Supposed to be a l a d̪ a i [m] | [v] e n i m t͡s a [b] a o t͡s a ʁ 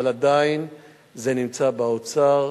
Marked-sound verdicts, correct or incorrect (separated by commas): incorrect, incorrect, correct